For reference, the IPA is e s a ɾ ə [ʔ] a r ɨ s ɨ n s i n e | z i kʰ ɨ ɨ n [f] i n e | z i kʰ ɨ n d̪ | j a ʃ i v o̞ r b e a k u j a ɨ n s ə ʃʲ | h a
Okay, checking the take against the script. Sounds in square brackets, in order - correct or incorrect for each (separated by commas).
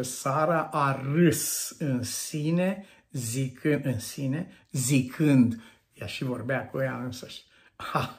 correct, incorrect